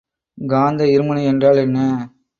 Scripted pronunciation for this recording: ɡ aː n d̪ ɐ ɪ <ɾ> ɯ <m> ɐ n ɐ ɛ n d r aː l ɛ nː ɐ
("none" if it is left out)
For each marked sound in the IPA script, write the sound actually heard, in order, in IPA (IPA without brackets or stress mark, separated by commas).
ɾ, m